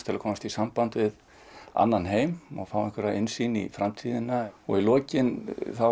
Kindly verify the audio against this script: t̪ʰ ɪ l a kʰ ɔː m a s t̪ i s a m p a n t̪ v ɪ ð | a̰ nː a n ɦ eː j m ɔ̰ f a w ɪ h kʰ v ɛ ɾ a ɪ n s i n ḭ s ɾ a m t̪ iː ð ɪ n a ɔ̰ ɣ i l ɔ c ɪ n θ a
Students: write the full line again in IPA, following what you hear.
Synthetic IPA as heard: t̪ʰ ɪ l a kʰ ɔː m a s t̪ i s a m p a n t̪ v ɪ ð | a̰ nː a n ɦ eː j m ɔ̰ f a w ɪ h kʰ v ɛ ɾ a ɪ n s i n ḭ f ɾ a m t̪ʰ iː ð ɪ n a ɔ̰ ɣ i l ɔː c ɪ n θ a

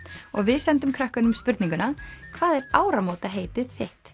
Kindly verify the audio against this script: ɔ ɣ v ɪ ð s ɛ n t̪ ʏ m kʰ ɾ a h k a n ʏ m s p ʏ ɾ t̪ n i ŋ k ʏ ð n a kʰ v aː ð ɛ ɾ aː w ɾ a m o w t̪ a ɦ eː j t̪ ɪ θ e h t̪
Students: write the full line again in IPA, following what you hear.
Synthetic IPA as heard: ɔ ɣ v ɪ ð s ɛ n t̪ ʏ m kʰ ɾ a h k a n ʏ m s p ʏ ɾ t̪ n i ŋ k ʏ n a kʰ v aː ð ɛ ɾ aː w ɾ a m o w t̪ a ɦ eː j t̪ ɪ θ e h t̪

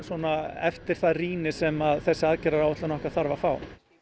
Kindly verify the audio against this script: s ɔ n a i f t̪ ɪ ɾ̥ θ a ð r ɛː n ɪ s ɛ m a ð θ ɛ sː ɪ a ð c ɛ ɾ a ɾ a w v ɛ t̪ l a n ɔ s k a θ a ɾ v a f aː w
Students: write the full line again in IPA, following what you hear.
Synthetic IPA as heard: s ɔ n a ɛ f t̪ ɪ ɾ̥ θ a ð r iː n ɪ s ɛ m a ð θ ɛ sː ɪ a ð c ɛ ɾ a ɾ a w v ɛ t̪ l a n ɔ h k a θ a ɾ v a f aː w

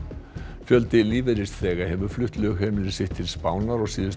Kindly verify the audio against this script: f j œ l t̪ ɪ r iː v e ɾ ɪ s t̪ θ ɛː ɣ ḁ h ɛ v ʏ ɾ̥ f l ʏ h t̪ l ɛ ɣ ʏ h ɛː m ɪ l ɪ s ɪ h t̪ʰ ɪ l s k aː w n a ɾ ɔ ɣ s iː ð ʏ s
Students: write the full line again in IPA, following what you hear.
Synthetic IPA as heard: f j œ l t̪ ɪ l iː v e ɾ ɪ s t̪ θ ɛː ɣ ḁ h ɛ v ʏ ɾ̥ f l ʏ h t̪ l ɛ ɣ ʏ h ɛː m ɪ l ɪ s ɪ h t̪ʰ ɪ l s p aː w n a ɾ ɔ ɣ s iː ð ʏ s

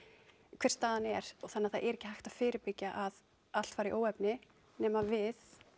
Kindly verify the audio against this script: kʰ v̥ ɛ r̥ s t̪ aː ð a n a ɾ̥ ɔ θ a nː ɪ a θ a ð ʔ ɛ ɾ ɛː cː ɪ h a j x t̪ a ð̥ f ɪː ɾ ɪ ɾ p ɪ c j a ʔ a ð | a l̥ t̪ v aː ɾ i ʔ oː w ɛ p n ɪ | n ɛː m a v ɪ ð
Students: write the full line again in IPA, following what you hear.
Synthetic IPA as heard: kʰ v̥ ɛ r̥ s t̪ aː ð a n ɛ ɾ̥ ɔ θ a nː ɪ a θ a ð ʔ ɛ ɾ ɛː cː ɪ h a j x t̪ a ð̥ f ɪː ɾ ɪ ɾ p ɪ c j a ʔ a ð | a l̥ t̪ f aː ɾ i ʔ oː w ɛ p n ɪ | n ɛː m a v ɪ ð

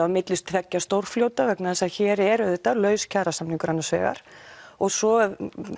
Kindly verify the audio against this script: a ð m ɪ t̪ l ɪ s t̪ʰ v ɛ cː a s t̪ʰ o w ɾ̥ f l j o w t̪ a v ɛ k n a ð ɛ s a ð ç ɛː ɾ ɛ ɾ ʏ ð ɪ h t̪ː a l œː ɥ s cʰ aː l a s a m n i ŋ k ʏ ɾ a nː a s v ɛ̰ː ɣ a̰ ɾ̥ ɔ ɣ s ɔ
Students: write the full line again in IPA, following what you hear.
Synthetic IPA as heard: a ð m ɪ t̪ l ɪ s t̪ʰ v ɛ cː a s t̪ o w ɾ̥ f l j o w t̪ a v ɛ k n a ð ɛ s a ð ç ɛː ɾ ɛ ɾ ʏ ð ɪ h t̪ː a l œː ɥ s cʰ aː ɾ a s a m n i ŋ k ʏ ɾ a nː a s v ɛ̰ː ɣ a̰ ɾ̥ ɔ ɣ s ɔ

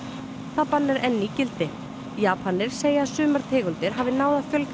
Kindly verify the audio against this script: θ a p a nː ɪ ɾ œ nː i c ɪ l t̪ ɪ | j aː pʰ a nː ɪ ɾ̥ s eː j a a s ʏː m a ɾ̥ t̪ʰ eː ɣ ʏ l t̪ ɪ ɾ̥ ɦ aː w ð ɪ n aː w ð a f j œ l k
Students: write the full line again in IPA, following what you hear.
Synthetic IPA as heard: θ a p a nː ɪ ɾ ɛ nː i c ɪ l t̪ ɪ | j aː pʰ a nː ɪ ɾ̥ s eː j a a s ʏː m a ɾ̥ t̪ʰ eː ɣ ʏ l t̪ ɪ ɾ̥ ɦ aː v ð ɪ n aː w ð a f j œ l k

